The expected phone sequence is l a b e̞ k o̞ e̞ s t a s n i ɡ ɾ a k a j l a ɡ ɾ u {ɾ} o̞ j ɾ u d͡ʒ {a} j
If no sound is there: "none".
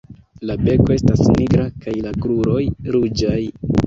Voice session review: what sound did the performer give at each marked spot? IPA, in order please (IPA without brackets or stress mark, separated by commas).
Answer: ɾ, a